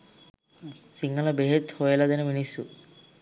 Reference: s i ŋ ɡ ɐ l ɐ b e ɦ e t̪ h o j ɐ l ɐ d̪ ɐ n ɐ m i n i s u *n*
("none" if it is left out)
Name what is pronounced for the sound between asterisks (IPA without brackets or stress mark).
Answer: none